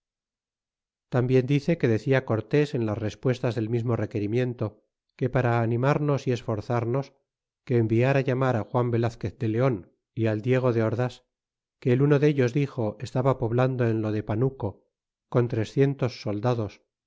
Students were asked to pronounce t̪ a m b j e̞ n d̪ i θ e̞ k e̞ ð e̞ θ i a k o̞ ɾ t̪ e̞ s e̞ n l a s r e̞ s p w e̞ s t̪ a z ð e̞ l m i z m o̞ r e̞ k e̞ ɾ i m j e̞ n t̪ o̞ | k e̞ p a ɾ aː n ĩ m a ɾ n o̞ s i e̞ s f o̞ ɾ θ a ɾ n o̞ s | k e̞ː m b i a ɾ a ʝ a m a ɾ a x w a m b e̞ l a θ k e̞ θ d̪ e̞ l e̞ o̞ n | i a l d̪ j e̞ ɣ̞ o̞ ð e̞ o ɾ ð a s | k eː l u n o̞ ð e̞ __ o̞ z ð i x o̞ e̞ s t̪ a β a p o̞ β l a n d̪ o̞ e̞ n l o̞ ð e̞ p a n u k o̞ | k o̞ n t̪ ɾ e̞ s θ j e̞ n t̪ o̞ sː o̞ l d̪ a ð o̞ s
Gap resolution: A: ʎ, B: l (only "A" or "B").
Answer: A